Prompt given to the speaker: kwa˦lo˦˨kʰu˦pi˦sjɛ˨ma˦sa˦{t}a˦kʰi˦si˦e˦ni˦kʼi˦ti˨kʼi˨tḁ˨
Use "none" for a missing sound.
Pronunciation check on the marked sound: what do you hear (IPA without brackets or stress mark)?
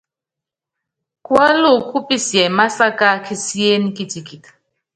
k